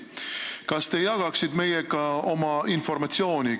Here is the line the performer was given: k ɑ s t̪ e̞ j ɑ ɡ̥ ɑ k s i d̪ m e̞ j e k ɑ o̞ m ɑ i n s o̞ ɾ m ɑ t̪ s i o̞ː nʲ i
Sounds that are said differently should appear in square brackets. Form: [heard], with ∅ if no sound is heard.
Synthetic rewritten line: k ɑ s t̪ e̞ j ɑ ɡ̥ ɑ k s i d̪ m e̞ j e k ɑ o̞ m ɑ i n [f] o̞ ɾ m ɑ t̪ s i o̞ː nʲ i